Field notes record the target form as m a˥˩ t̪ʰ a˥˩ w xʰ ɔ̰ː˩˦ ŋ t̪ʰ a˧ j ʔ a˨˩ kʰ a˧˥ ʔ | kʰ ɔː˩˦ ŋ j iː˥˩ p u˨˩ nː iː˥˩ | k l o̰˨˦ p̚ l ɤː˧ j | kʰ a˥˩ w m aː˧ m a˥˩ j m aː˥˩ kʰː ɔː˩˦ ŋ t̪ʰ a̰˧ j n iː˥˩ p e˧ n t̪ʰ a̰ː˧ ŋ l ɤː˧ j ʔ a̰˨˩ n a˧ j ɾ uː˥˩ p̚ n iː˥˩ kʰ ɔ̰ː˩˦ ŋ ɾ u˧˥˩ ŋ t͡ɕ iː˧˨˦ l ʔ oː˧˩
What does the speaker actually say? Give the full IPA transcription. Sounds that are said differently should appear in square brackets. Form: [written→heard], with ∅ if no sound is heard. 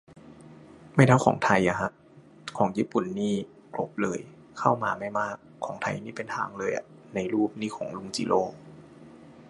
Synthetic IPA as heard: m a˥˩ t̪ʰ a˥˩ w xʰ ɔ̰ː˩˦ ŋ t̪ʰ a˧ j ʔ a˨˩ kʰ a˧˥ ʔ | kʰ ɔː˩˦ ŋ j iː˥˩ p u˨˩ nː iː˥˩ | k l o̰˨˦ p̚ l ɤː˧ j | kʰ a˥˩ w m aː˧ m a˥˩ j m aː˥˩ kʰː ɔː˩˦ ŋ t̪ʰ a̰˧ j n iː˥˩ p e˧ n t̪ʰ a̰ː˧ ŋ l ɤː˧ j ʔ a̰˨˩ n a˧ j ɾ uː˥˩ p̚ n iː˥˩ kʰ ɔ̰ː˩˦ ŋ [ɾ→l] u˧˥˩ ŋ t͡ɕ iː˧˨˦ l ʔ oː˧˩